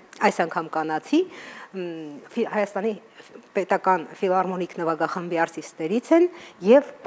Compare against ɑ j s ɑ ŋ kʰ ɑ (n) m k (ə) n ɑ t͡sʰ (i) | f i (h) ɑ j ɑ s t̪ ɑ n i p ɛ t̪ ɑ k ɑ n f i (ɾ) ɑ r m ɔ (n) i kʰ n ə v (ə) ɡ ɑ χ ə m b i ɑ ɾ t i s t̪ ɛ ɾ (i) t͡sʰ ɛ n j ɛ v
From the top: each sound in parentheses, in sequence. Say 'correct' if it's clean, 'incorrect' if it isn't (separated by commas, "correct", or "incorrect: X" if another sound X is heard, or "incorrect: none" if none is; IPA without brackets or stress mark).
incorrect: none, incorrect: ɑ, correct, correct, incorrect: l, correct, incorrect: ɑ, correct